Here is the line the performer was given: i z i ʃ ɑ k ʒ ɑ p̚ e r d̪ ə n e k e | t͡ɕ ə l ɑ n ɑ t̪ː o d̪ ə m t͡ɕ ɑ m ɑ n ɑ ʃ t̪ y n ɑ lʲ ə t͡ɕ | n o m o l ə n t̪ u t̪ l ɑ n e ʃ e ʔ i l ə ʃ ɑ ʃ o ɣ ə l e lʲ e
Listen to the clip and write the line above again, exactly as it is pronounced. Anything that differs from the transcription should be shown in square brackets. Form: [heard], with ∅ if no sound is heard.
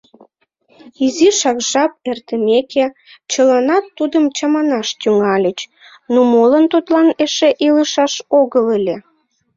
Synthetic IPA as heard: i z i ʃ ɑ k ʒ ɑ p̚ e r [t̪] ə [m] e k e | t͡ɕ ə l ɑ n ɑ t̪ː [u] d̪ ə m t͡ɕ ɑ m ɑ n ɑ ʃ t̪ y [ŋ] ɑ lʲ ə t͡ɕ | n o m o l ə n t̪ u t̪ l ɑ n e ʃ e ʔ i l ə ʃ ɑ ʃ o ɣ ə l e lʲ e

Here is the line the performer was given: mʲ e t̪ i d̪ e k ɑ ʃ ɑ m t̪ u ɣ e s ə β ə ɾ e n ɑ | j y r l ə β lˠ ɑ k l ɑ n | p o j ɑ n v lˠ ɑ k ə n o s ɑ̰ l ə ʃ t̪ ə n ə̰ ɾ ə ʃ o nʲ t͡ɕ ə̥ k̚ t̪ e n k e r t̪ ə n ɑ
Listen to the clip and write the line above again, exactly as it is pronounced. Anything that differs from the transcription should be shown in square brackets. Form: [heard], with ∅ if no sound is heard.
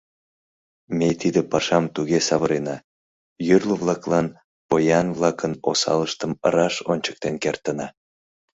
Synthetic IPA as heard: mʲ e t̪ i d̪ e [p] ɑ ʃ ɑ m t̪ u ɣ e s [ɑ] β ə ɾ e n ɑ | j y r l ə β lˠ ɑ k l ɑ n | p o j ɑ n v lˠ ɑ k ə n o s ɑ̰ l ə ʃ t̪ ə [m] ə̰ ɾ [ɑ] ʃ o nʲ t͡ɕ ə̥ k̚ t̪ e n k e r t̪ ə n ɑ

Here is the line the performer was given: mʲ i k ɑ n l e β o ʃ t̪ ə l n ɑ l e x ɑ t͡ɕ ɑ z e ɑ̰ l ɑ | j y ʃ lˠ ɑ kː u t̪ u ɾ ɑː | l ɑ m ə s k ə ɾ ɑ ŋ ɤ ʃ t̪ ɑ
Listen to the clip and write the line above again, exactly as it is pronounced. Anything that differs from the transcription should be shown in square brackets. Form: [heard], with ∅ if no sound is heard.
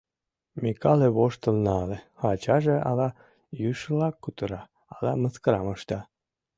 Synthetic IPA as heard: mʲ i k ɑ [∅] l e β o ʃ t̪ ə l n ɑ l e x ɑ t͡ɕ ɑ [ʒ] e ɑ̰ l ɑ | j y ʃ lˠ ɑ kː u t̪ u ɾ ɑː | l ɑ m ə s k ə ɾ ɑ [m] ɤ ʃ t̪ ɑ

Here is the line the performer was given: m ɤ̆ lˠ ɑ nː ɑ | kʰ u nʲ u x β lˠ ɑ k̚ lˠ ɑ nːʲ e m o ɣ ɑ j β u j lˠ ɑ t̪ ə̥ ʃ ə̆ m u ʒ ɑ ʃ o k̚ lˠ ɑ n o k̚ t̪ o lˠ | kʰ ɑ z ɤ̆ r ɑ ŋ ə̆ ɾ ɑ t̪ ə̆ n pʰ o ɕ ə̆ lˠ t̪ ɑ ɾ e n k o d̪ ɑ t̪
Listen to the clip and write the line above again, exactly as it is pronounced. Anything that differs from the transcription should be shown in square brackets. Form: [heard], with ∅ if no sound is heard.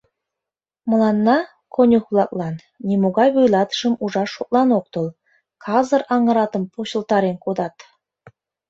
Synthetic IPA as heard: m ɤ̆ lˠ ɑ nː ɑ | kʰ [o] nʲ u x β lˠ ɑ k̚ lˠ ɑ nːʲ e m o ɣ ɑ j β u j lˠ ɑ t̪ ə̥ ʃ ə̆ m u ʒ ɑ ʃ o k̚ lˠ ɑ n o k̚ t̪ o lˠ | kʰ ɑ z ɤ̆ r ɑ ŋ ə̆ ɾ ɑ t̪ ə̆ [m] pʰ o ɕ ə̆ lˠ t̪ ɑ ɾ e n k o d̪ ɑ t̪

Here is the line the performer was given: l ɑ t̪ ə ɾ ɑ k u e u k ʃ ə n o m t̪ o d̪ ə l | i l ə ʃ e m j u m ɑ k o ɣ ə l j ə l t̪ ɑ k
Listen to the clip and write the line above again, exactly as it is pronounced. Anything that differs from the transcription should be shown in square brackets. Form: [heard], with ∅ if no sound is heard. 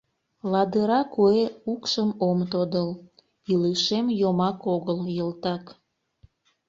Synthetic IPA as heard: l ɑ [d̪] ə ɾ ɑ k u e u k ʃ ə [m] o m t̪ o d̪ ə l | i l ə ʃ e m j [o] m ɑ k o ɣ ə l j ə l t̪ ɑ k

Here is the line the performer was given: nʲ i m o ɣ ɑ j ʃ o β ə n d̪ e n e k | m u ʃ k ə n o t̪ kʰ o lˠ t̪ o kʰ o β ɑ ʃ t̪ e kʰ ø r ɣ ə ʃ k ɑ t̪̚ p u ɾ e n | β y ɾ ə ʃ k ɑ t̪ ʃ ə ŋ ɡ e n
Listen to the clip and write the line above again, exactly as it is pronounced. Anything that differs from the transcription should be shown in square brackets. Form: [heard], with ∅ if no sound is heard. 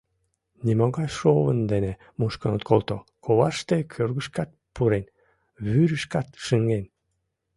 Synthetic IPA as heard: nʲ i m o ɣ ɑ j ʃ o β ə n d̪ e n e [∅] | m u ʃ k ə n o t̪ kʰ o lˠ t̪ o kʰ o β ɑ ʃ t̪ e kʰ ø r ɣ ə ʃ k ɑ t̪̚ p u ɾ e n | β y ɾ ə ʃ k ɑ t̪ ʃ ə ŋ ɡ e n

